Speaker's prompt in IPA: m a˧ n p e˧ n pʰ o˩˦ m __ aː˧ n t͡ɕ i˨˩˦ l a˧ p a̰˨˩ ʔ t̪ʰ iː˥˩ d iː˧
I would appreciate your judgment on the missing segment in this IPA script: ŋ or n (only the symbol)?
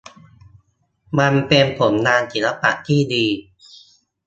n